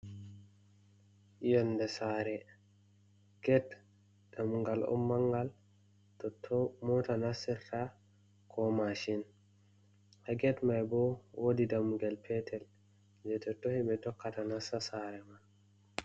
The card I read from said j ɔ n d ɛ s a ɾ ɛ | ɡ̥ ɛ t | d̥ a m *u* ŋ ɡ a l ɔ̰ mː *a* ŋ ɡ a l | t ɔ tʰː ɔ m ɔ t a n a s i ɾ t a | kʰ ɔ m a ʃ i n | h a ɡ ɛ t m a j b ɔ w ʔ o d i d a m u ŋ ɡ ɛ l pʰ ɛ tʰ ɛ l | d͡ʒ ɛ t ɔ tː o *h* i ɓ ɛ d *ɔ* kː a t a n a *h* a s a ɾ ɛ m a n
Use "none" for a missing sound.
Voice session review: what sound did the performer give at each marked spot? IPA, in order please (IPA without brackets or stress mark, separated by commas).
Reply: u, a, h, ɔ, s